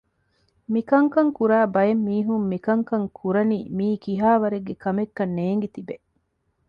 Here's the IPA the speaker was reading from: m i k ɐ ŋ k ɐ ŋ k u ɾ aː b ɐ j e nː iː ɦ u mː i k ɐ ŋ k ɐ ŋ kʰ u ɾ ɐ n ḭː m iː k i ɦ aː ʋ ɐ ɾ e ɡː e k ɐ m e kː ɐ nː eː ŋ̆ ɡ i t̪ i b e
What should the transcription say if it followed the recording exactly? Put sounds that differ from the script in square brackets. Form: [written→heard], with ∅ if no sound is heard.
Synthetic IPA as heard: m i k ɐ ŋ k ɐ ŋ k u ɾ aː b ɐ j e [nː→mː] iː ɦ u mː i k ɐ ŋ k ɐ ŋ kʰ u ɾ ɐ n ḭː m iː k i ɦ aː ʋ ɐ ɾ e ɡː e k ɐ m e kː ɐ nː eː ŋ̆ ɡ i t̪ i b e

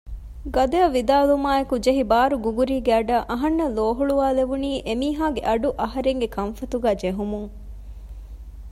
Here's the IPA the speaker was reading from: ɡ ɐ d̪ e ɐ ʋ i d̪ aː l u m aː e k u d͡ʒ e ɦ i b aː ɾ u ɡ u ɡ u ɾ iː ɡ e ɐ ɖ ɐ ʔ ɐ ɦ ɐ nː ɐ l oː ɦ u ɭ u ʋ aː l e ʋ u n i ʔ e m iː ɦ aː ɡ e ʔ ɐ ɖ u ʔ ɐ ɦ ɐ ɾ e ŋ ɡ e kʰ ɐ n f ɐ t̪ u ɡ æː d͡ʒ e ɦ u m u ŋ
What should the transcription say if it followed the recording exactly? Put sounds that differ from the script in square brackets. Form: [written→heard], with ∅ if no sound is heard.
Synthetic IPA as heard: ɡ ɐ d̪ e ɐ ʋ i d̪ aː l u m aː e k u d͡ʒ e ɦ i b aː ɾ u ɡ u ɡ u ɾ iː ɡ e ɐ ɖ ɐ ʔ ɐ ɦ ɐ nː ɐ l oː ɦ u ɭ u ʋ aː l e ʋ u n [i→iː] ʔ e m iː ɦ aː ɡ e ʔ ɐ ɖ u ʔ ɐ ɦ ɐ ɾ e ŋ ɡ e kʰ ɐ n f ɐ t̪ u ɡ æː d͡ʒ e ɦ u m u ŋ

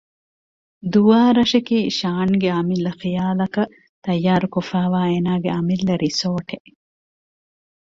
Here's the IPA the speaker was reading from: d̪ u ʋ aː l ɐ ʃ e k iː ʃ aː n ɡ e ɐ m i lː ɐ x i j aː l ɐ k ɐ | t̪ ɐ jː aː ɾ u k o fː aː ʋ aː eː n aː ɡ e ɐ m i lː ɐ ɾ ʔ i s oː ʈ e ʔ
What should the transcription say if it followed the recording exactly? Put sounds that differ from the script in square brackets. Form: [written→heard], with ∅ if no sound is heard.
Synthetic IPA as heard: d̪ u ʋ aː [l→ɾ] ɐ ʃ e k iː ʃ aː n ɡ e ɐ m i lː ɐ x i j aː l ɐ k ɐ | t̪ ɐ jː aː ɾ u k o [fː→f] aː ʋ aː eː n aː ɡ e ɐ m i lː ɐ ɾ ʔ i s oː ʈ e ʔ

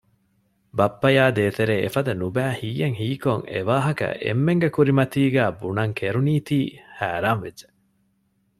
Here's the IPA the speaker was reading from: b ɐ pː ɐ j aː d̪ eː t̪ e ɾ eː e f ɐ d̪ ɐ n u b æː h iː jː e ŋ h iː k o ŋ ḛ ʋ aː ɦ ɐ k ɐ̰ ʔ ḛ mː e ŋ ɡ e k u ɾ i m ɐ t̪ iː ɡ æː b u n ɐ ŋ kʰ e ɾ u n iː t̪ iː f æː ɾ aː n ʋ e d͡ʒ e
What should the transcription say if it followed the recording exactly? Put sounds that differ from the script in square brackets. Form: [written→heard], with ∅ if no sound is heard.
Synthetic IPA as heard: b ɐ pː ɐ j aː d̪ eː t̪ e ɾ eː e f ɐ d̪ ɐ n u b æː h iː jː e ŋ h iː k o ŋ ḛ ʋ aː ɦ ɐ k ɐ̰ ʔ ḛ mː e ŋ ɡ e k u ɾ i m ɐ t̪ iː ɡ æː b u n ɐ ŋ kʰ e ɾ u n iː t̪ iː [f→h] æː ɾ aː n ʋ e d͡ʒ e

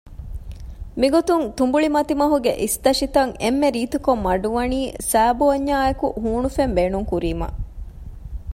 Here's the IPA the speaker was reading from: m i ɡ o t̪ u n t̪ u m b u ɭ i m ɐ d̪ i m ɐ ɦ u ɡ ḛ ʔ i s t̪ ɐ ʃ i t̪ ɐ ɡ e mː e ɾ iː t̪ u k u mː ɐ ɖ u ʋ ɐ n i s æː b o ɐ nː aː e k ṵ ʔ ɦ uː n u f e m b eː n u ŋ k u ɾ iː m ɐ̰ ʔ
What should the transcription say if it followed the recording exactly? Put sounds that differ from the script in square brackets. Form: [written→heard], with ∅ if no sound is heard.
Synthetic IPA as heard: m i ɡ o t̪ u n t̪ u m b u ɭ i m ɐ [d̪→t̪] i m ɐ ɦ u ɡ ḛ ʔ i s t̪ ɐ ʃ i t̪ ɐ [ɡ→ŋ] e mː e ɾ iː t̪ u k [u→o] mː ɐ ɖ u ʋ ɐ n [i→iː] s æː b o ɐ [nː→ɲː] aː e k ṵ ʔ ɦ uː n u f e m b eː n u ŋ k u ɾ iː m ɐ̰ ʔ

